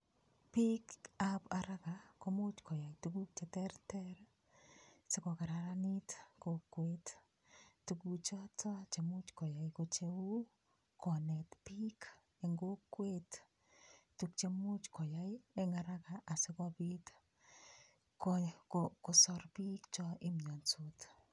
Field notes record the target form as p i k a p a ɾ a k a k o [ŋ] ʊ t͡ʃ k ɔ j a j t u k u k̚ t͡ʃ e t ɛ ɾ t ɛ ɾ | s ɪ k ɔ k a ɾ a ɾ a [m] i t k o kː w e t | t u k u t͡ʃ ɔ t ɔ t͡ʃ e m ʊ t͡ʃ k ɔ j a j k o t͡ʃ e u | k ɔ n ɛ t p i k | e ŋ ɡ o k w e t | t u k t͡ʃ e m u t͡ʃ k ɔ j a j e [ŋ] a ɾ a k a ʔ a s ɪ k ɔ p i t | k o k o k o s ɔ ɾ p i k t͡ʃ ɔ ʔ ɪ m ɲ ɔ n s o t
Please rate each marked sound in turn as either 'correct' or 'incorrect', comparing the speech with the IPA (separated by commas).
incorrect, incorrect, correct